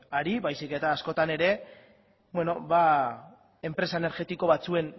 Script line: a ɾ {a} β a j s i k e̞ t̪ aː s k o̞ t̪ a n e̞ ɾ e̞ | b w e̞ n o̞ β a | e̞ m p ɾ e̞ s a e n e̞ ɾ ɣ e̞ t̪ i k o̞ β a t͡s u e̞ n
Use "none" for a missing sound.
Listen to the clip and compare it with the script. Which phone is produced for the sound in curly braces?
i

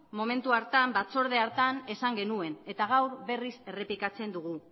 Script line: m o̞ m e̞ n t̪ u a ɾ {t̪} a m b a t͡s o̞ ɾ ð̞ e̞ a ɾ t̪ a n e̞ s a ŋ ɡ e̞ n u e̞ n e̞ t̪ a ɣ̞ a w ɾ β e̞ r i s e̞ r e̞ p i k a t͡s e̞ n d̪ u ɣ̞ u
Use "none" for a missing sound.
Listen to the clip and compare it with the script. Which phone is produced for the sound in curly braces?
t̪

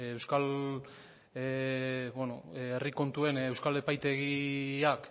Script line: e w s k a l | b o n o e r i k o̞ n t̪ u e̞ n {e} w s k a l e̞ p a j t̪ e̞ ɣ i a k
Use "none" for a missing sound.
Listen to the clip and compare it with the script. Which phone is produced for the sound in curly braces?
e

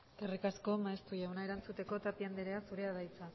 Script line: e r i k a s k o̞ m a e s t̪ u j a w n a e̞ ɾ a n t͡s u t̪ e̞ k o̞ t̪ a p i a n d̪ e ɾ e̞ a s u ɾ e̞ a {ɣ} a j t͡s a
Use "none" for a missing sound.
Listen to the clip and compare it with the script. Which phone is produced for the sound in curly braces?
ð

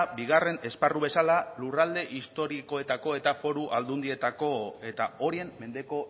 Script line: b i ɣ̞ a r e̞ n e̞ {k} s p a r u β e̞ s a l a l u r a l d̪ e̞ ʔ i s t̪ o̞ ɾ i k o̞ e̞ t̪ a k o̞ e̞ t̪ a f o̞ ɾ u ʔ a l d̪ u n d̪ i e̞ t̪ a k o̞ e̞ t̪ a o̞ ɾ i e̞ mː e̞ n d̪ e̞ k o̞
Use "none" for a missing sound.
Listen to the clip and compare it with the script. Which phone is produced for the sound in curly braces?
none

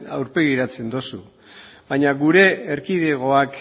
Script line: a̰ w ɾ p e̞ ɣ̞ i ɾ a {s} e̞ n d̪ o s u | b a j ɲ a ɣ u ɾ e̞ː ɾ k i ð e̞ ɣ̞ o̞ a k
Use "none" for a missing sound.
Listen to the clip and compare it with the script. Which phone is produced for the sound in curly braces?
t͡s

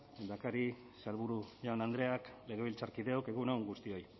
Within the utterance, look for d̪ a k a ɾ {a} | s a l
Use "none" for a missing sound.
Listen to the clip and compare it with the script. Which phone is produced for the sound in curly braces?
i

